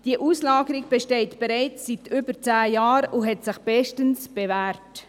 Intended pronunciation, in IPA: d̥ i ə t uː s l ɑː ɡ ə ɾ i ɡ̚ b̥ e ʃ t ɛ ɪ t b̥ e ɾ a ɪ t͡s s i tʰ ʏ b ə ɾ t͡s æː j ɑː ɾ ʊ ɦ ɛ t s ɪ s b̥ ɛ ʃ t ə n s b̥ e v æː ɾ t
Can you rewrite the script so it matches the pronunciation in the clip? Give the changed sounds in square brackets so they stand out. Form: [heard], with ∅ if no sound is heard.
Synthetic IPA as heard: d̥ i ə [ʔ] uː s l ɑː ɡ ə ɾ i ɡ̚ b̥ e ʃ t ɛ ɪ t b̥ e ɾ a ɪ t͡s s i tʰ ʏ b ə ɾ t͡s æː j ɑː ɾ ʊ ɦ ɛ t s ɪ [χ] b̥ ɛ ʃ t ə n s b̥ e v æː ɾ t